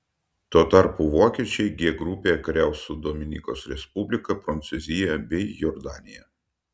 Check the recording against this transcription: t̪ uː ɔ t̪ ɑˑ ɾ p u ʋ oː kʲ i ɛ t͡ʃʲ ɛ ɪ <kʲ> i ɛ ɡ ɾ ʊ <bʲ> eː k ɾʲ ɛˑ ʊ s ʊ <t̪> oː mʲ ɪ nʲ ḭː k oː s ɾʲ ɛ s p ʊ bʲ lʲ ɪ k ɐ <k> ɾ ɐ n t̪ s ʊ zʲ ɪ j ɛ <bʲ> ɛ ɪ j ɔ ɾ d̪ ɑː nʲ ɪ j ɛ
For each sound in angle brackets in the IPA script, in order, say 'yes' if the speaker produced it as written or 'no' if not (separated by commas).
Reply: no, no, no, no, yes